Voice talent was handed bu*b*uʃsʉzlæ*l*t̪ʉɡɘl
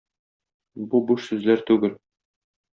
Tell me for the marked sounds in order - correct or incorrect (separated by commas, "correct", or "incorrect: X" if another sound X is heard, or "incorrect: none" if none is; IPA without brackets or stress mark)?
correct, incorrect: ɾ